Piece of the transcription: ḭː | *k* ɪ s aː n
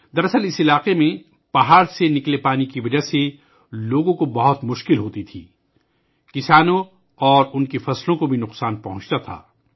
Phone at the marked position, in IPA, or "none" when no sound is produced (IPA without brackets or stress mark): k